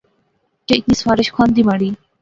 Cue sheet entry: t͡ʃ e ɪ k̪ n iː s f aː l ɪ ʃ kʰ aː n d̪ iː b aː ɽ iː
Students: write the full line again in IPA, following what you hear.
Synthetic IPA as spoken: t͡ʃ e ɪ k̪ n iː s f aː ɾ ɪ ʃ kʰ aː n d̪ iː m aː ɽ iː